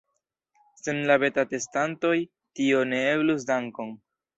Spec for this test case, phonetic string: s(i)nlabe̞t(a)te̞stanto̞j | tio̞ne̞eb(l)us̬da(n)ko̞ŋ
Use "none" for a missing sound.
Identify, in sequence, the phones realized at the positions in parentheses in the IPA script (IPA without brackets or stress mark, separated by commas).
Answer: e, a, l, ŋ